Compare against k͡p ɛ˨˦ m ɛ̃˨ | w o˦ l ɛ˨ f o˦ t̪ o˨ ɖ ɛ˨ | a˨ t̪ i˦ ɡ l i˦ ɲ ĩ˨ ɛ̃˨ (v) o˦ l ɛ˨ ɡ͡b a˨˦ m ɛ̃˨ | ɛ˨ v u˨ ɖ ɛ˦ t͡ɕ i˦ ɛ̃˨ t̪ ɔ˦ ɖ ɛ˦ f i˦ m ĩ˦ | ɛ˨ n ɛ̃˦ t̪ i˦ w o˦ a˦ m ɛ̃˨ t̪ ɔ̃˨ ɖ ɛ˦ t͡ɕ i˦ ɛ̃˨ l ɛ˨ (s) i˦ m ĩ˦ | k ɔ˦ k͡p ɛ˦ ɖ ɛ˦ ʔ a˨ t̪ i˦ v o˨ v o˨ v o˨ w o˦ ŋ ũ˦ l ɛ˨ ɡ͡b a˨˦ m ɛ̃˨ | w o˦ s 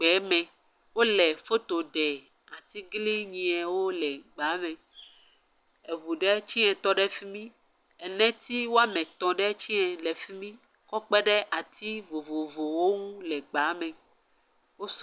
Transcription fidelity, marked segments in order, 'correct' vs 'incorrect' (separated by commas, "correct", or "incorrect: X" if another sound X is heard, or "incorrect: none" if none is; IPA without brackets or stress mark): incorrect: w, incorrect: f